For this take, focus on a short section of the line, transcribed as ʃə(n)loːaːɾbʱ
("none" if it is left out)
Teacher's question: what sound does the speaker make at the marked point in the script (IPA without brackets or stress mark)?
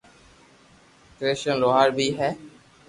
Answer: n